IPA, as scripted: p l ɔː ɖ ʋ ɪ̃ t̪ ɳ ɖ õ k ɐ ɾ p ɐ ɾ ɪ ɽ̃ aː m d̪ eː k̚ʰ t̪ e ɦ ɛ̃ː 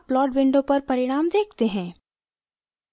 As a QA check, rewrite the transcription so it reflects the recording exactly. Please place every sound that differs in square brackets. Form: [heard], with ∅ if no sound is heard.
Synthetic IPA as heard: p l ɔː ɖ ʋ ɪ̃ [∅] ɳ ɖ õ [p] ɐ ɾ p ɐ ɾ ɪ ɽ̃ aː m d̪ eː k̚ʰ t̪ e ɦ ɛ̃ː